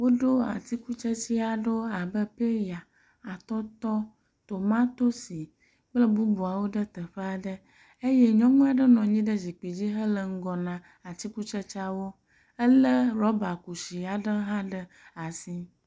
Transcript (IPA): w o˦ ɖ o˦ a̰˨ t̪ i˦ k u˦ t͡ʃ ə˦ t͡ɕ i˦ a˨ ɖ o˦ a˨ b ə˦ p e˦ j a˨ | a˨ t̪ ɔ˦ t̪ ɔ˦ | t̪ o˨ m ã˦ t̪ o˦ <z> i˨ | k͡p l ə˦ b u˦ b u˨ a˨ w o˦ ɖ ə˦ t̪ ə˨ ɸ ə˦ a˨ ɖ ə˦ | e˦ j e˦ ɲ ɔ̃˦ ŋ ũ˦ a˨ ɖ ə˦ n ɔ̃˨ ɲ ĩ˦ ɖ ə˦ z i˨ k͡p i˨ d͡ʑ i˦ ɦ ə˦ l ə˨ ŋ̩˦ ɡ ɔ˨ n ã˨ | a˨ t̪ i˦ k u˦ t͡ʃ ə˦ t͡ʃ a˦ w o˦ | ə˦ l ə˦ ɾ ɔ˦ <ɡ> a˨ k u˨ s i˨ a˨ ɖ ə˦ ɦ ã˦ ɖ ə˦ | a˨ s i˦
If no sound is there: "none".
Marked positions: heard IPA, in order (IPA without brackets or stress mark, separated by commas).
s, b